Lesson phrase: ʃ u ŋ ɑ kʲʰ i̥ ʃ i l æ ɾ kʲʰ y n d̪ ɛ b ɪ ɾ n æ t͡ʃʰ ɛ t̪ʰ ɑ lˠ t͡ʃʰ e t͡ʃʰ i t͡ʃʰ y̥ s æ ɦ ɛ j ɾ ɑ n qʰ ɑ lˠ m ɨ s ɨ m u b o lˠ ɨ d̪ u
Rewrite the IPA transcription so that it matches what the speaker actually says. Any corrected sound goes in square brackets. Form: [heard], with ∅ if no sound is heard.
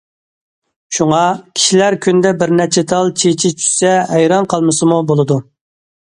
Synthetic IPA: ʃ u ŋ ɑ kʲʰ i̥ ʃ i l æ ɾ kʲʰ y n d̪ ɛ b ɪ ɾ n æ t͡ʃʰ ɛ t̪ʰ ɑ lˠ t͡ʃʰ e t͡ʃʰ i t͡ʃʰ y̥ s [ɛ] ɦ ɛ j ɾ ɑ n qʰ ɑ lˠ m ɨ s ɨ m u b o lˠ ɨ d̪ u